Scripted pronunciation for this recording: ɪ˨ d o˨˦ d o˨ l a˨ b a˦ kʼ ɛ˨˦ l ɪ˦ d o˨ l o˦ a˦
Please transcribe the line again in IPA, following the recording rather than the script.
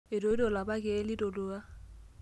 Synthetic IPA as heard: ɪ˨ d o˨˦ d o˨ l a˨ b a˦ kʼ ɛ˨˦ l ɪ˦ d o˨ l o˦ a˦